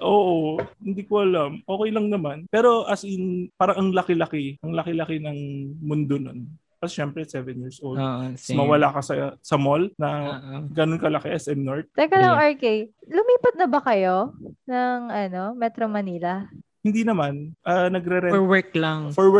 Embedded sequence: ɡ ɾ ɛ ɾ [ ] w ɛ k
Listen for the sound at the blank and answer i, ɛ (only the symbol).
ɛ